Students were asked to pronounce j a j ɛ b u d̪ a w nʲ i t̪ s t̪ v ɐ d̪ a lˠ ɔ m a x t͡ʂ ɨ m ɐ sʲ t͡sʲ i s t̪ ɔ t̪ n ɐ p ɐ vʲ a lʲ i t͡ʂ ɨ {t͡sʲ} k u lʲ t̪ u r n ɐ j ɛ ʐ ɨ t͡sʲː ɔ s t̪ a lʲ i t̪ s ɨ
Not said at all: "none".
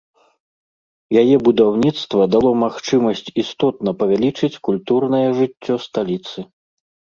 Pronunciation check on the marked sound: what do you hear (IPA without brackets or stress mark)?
t͡sʲ